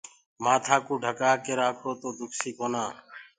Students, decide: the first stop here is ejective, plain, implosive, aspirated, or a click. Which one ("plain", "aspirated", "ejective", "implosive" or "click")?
aspirated